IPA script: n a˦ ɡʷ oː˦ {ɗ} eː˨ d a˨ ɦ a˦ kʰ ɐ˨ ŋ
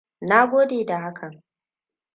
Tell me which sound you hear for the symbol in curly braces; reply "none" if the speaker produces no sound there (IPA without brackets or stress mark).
d